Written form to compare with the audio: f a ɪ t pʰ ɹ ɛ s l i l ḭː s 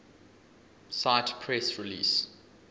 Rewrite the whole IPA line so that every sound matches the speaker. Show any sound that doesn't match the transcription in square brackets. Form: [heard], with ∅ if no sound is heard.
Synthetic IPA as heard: [s] a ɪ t pʰ ɹ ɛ s [ɹ] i l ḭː s